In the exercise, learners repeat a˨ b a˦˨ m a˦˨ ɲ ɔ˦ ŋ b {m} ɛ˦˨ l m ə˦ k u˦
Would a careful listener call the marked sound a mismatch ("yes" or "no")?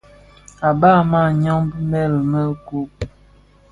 no